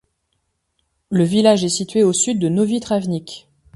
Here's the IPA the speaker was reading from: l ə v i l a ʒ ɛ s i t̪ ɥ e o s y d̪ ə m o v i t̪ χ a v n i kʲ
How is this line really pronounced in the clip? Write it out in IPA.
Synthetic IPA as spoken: l ə v i l a ʒ ɛ s i t̪ ɥ e o s y d̪ː ə n o v i t̪ χ a v n i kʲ